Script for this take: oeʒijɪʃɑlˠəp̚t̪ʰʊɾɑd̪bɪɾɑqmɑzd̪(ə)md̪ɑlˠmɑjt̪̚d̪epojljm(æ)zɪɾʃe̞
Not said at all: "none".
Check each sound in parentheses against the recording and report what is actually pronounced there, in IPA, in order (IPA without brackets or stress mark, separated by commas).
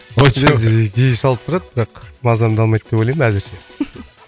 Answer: ɑ, æ